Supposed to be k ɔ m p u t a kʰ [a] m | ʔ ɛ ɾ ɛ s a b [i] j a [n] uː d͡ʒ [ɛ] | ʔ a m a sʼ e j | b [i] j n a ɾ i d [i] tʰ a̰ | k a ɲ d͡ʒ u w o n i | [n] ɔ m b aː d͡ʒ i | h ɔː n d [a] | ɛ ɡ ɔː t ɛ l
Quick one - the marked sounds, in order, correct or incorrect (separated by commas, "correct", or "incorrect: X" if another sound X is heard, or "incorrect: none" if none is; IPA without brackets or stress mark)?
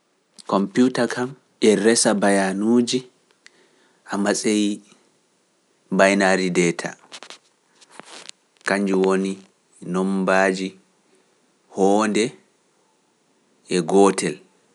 correct, incorrect: a, correct, incorrect: i, incorrect: a, incorrect: ɛ, correct, incorrect: ɛ